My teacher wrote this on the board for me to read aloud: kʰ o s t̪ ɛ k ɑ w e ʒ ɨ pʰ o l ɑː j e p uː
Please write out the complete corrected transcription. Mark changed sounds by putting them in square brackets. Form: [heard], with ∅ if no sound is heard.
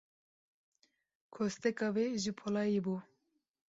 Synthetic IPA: kʰ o s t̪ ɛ k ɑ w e ʒ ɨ pʰ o l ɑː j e [b] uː